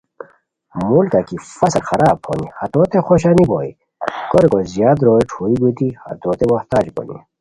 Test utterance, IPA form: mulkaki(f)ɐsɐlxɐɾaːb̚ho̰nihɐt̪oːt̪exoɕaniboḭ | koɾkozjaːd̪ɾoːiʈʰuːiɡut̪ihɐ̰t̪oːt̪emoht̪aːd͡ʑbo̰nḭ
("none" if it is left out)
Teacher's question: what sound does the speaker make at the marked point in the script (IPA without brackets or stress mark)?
f